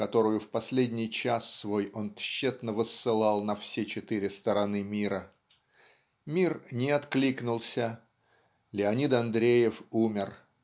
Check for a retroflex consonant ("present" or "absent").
absent